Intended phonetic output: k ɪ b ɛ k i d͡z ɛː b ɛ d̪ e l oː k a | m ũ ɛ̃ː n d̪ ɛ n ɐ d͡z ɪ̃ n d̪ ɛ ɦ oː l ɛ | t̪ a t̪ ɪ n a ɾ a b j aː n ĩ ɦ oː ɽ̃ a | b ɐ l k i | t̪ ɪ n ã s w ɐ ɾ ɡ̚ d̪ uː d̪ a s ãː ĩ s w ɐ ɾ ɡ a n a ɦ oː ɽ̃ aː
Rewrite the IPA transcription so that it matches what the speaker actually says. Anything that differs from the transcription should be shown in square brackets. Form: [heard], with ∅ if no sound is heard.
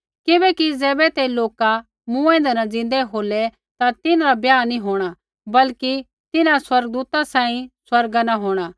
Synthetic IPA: k ɪ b ɛ k i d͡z ɛː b ɛ [t̪] e l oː k a | m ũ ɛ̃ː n d̪ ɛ n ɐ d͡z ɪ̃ n d̪ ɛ ɦ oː l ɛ | t̪ a t̪ ɪ n a ɾ a b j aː n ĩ ɦ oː ɽ̃ a | b ɐ l k i | t̪ ɪ n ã s w ɐ ɾ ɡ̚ d̪ uː [t̪] a s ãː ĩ s w ɐ ɾ ɡ a n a ɦ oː ɽ̃ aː